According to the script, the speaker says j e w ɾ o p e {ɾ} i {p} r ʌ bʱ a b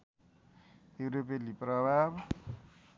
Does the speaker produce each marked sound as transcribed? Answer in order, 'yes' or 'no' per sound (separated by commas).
no, yes